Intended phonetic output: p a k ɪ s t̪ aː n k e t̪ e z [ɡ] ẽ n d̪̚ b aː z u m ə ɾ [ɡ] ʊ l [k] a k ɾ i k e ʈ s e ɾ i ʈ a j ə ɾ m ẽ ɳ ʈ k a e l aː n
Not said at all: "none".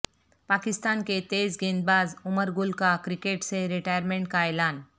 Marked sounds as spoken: ɡ, ɡ, k

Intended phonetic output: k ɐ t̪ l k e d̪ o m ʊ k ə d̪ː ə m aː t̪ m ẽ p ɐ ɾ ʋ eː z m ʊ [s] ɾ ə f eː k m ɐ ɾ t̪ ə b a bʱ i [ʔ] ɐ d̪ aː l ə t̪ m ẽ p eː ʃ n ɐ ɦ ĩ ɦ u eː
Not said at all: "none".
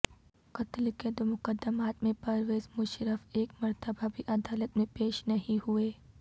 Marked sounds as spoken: ʃ, ʔ

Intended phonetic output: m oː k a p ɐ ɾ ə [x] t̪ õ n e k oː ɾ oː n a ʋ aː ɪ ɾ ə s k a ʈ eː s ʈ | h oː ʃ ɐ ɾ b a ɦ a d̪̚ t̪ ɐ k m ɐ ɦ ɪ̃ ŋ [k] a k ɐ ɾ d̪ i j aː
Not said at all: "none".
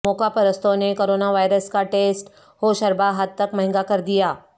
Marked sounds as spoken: s, ɡ

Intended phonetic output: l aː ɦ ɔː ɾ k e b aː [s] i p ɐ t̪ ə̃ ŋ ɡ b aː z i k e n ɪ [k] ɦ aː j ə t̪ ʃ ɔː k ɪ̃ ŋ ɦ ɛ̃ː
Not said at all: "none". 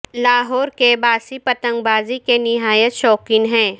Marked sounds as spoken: s, none

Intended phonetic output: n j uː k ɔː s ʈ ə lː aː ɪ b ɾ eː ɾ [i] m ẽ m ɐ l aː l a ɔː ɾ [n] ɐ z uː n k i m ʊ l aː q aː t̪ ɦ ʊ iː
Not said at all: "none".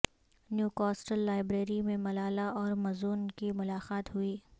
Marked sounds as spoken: i, m

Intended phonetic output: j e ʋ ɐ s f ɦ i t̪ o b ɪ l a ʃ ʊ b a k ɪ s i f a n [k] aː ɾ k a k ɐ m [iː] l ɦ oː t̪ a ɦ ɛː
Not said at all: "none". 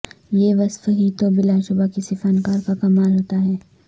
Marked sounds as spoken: k, aː

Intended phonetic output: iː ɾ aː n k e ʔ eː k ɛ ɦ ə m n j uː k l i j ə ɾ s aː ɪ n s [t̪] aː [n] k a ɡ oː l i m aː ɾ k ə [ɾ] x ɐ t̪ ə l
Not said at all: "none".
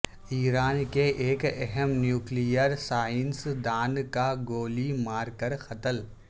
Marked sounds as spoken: d̪, n, ɾ

